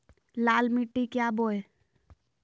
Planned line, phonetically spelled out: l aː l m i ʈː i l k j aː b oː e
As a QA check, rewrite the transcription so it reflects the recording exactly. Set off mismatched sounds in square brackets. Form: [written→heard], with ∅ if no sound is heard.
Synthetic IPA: l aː l m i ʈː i [l→∅] k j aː b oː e